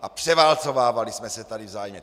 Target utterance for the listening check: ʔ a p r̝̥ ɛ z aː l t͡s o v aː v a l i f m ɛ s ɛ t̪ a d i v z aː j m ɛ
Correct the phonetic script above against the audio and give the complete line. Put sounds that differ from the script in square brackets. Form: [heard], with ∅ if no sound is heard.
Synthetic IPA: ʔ a p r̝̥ ɛ [v] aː l t͡s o v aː v a l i [s] m ɛ s ɛ t̪ a d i v z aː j m ɛ